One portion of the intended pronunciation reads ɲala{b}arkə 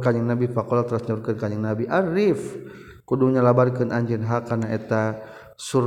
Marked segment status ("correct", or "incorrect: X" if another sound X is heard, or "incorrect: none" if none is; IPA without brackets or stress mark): correct